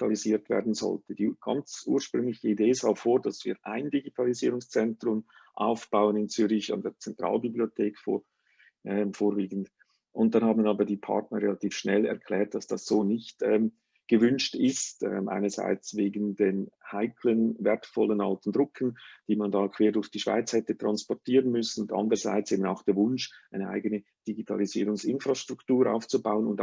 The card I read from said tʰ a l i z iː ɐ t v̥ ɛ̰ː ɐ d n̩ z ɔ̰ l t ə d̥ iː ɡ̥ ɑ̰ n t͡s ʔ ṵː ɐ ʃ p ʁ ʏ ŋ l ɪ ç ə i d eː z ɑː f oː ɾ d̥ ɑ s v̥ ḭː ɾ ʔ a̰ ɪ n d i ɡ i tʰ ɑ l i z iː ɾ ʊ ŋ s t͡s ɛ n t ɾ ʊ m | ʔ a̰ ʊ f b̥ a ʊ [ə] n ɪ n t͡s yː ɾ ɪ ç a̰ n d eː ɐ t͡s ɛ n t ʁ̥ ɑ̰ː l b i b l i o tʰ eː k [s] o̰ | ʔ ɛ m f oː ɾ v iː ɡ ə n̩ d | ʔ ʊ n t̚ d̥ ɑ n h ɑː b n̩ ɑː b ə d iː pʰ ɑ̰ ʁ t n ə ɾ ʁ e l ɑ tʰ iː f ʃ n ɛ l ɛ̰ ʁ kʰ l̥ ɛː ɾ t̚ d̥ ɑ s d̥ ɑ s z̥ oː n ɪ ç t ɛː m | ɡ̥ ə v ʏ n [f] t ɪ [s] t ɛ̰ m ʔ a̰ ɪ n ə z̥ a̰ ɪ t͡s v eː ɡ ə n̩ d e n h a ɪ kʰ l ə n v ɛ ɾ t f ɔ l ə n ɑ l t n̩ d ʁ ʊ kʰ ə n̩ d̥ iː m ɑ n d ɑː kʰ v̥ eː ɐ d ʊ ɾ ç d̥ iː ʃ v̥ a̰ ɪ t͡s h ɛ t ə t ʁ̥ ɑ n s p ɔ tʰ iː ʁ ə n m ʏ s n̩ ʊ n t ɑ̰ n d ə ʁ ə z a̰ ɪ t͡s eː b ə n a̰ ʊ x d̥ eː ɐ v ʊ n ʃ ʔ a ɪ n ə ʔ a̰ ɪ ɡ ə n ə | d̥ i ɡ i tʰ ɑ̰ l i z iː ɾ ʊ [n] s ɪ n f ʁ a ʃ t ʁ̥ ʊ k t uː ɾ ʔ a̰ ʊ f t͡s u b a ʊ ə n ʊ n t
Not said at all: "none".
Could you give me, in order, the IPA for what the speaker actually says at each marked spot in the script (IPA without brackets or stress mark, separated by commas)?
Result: ə, f, ʃ, s, ŋ